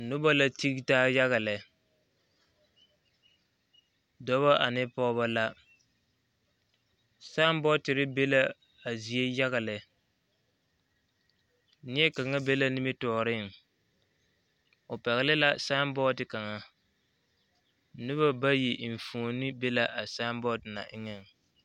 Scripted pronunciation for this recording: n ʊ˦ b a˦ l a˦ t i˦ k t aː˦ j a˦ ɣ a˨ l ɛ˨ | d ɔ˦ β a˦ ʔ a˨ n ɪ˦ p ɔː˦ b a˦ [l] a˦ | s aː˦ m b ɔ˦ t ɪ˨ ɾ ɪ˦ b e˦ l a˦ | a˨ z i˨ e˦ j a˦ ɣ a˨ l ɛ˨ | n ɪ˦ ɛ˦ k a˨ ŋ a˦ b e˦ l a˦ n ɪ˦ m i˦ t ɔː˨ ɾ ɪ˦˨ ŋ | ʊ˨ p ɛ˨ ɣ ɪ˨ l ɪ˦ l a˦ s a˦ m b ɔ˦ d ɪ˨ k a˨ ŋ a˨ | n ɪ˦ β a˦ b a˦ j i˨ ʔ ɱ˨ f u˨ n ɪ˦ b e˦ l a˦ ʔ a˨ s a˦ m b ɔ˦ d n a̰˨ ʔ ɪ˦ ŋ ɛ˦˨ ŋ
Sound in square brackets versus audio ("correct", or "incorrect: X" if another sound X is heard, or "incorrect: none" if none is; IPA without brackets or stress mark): correct